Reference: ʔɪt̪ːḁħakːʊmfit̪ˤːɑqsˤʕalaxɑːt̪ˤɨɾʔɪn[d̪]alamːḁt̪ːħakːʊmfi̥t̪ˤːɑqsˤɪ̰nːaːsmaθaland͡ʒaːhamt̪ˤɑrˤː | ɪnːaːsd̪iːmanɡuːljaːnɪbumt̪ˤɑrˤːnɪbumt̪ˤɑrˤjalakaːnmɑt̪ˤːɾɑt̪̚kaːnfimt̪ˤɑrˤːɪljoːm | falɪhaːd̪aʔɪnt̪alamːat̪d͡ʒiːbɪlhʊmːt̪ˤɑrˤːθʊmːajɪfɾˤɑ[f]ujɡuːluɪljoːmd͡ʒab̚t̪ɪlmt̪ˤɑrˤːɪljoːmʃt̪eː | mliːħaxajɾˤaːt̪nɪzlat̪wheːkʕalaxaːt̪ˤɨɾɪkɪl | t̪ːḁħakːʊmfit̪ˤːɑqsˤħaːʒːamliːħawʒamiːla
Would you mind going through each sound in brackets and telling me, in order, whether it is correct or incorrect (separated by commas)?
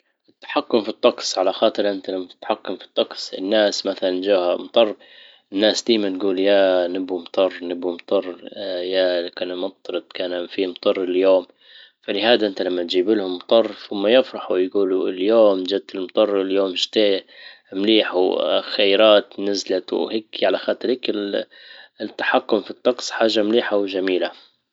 incorrect, incorrect